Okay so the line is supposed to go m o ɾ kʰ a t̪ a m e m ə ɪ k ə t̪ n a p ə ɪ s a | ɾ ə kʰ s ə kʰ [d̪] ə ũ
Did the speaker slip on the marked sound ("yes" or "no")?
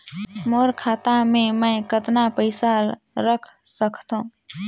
yes